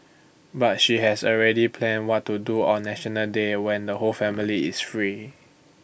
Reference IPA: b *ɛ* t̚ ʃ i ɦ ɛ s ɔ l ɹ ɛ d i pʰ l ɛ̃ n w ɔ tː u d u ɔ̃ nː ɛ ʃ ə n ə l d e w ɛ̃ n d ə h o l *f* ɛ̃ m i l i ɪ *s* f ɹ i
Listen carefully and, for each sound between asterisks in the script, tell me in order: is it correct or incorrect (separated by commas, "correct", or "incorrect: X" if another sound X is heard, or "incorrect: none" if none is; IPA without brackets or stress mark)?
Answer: incorrect: a, correct, correct